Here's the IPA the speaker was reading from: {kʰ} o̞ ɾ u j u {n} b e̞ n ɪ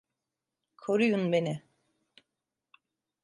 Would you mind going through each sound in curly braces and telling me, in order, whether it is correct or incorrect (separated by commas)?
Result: correct, correct